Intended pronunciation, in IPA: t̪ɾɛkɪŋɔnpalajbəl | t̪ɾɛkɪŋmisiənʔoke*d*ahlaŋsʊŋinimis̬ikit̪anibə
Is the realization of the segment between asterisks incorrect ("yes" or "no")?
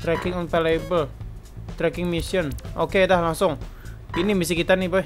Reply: no